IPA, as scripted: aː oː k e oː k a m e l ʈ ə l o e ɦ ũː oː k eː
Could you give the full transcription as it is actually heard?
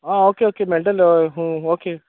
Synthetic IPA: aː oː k e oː k e m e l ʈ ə l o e ɦ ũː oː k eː